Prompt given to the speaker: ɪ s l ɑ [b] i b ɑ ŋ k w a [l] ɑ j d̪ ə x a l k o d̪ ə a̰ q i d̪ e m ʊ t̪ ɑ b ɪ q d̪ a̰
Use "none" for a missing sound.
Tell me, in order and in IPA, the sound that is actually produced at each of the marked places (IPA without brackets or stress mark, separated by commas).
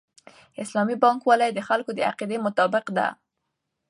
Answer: m, l